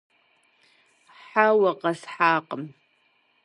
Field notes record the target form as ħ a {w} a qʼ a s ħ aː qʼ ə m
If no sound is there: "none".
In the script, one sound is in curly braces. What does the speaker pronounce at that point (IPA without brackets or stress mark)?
w